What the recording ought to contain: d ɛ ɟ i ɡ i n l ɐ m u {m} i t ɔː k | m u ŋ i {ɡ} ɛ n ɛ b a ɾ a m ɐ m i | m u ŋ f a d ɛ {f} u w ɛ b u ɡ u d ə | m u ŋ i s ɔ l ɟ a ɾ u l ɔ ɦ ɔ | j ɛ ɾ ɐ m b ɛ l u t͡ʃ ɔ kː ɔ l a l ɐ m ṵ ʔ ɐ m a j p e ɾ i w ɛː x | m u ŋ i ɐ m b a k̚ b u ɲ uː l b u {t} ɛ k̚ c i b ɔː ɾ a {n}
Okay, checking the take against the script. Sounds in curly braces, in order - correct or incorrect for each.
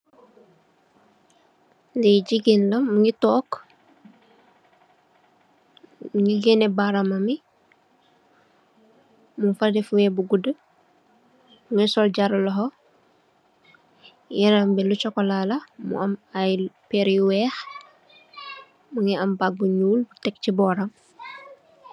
incorrect: ŋ, correct, correct, correct, incorrect: m

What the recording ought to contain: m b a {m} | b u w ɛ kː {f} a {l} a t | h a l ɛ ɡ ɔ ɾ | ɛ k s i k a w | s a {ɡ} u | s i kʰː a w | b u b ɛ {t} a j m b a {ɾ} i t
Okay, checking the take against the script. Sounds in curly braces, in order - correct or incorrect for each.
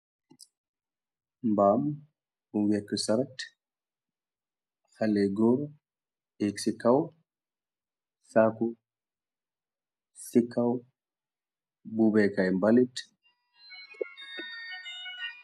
correct, incorrect: s, incorrect: ɾ, incorrect: k, incorrect: k, incorrect: l

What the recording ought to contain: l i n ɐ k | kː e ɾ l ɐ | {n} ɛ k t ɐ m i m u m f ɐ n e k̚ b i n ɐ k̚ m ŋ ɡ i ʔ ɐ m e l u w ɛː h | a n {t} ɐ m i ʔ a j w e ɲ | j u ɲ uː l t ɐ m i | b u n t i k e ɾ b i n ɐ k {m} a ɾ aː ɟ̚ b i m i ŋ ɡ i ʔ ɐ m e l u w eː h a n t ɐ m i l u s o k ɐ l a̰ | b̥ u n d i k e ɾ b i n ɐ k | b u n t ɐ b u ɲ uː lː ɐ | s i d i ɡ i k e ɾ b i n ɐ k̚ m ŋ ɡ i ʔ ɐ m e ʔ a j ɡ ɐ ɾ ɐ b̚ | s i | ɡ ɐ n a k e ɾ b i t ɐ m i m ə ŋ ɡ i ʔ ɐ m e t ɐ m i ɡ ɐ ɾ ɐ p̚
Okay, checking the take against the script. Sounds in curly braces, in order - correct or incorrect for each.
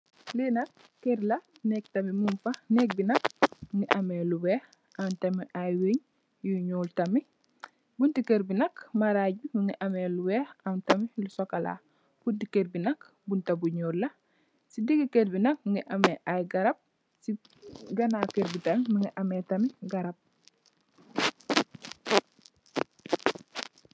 correct, correct, correct

